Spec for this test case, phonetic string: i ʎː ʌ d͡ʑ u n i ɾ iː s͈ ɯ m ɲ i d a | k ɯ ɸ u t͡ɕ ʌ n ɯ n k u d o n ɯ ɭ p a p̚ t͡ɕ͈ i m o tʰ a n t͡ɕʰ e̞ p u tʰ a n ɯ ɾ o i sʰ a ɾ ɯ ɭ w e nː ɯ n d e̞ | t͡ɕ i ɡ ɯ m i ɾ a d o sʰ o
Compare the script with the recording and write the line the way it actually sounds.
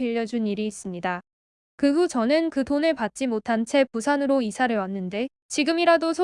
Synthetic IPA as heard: i ʎː ʌ d͡ʑ u n i ɾ iː s͈ ɯ m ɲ i d a | k ɯ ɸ u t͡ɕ ʌ n ɯ n k ɯ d o n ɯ ɭ p a t̚ t͡ɕ͈ i m o tʰ a n t͡ɕʰ e̞ p u sʰ a n ɯ ɾ o i sʰ a ɾ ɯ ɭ w a nː ɯ n d e̞ | t͡ɕ i ɡ ɯ m i ɾ a d o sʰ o